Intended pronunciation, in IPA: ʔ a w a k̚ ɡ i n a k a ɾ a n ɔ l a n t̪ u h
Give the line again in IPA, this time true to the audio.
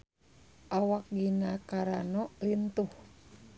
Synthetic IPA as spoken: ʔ a w a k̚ ɡ i n a k a ɾ a n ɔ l i n t̪ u h